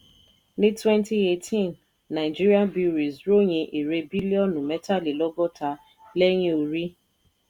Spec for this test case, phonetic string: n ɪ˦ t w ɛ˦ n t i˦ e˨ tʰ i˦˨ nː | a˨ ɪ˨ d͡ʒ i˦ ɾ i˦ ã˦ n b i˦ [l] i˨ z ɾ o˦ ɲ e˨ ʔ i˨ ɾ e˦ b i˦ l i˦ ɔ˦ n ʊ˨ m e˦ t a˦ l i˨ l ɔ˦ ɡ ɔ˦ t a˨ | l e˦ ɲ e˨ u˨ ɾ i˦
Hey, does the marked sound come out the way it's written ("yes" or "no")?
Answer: no